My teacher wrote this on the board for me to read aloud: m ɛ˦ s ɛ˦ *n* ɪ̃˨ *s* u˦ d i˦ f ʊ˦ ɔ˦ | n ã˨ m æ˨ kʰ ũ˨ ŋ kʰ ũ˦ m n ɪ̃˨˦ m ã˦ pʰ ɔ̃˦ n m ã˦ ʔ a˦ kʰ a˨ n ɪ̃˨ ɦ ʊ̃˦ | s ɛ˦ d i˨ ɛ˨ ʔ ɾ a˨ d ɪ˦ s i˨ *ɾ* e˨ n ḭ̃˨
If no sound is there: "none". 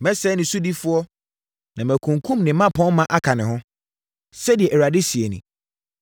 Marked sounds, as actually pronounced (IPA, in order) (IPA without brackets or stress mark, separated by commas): n, s, none